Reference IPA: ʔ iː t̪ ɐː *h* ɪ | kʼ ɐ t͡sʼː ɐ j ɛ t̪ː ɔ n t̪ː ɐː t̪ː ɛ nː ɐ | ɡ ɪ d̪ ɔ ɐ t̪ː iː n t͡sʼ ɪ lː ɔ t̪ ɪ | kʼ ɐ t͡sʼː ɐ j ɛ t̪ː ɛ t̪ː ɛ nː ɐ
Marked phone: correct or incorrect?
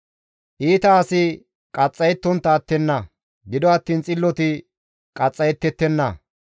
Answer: incorrect